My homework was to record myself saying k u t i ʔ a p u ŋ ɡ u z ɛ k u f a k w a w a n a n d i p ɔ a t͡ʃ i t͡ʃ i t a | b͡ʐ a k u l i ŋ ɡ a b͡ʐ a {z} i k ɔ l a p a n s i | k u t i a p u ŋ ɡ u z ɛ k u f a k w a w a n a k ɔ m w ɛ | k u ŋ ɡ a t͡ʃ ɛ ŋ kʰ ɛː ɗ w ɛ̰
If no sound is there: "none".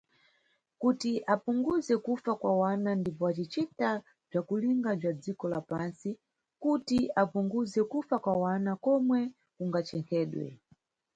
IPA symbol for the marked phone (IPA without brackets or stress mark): d͡z